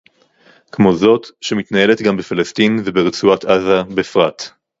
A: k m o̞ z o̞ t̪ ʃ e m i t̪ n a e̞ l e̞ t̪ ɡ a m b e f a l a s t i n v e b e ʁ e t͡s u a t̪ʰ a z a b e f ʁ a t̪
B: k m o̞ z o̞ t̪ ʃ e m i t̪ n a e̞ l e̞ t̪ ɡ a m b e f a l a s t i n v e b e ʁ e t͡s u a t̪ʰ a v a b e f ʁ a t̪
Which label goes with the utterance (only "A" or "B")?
A